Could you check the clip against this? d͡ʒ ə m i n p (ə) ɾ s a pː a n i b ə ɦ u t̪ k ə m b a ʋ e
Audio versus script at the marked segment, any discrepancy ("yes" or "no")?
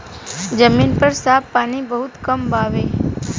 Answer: no